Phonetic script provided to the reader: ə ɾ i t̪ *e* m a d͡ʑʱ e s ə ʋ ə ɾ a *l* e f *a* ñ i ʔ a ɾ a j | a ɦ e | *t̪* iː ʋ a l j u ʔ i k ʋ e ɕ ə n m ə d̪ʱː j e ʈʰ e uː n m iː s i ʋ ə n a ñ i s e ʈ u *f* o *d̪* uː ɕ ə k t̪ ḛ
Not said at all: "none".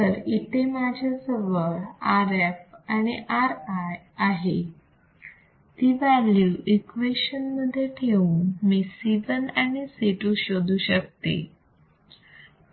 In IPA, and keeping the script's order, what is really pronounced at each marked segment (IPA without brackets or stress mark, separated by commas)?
e, ɾ, a, t̪, ɕ, d̪